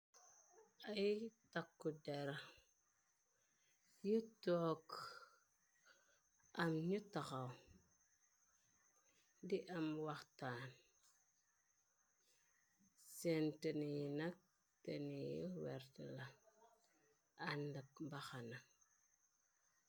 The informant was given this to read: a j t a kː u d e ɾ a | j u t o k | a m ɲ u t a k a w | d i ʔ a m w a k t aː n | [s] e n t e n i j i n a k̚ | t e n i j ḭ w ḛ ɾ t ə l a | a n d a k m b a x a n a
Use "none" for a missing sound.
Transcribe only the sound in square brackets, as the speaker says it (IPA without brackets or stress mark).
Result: s